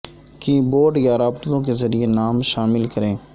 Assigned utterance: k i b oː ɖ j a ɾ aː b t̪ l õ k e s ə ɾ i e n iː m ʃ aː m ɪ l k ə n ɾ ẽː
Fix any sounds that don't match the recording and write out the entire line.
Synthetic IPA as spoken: k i b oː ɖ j a ɾ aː b t̪ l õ k e z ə ɾ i e n aː m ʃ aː m ɪ l k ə ɾ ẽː